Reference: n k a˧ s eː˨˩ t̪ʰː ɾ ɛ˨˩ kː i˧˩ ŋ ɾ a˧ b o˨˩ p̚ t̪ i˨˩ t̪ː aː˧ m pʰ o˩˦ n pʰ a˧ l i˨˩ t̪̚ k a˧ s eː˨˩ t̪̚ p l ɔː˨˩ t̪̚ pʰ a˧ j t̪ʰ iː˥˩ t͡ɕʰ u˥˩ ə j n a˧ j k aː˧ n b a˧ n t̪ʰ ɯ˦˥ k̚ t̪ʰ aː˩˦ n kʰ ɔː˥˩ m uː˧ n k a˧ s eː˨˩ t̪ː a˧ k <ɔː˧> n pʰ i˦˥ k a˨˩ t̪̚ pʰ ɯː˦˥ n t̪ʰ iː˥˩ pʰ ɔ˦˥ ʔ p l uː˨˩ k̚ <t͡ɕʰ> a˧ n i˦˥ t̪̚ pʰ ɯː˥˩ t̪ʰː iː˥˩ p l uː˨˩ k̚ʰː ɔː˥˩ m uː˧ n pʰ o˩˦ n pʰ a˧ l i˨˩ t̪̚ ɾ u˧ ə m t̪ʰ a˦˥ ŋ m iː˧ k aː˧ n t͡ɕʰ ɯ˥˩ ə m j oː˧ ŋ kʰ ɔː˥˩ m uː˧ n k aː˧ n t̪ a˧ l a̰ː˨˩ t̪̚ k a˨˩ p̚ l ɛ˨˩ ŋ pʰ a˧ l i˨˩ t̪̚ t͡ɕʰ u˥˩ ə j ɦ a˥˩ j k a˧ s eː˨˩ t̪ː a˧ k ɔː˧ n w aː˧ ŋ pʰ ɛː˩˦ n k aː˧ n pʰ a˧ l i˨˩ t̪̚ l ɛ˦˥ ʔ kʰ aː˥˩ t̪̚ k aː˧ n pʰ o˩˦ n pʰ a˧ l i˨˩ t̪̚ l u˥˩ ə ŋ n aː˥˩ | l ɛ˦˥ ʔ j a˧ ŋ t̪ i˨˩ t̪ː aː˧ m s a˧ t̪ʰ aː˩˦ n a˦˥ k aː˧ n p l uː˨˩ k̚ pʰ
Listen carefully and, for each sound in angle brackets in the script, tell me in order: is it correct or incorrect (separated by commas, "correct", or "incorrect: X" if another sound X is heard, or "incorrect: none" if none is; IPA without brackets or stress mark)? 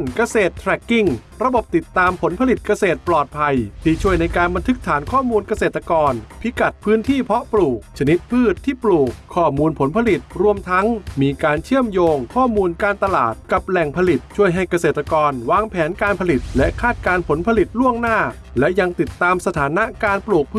correct, correct